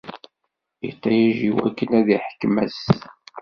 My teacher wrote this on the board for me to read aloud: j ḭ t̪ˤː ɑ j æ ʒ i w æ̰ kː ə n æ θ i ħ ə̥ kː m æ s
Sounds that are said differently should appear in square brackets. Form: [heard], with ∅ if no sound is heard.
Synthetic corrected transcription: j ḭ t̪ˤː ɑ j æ ʒ i w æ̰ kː ə n æ [ð] i ħ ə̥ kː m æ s

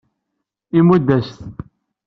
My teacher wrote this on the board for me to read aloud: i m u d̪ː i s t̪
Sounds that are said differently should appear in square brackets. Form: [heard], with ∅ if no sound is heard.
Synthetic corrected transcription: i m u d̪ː [æ] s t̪

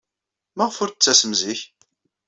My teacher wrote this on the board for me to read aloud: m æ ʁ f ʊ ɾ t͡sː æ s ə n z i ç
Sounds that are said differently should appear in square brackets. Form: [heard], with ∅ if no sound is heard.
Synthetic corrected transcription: m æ ʁ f ʊ ɾ t͡sː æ s ə [m] z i ç

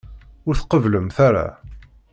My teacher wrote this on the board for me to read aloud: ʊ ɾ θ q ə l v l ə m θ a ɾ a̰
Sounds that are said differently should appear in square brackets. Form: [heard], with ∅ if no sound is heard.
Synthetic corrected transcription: ʊ ɾ θ q ə [∅] v l ə m θ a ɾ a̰

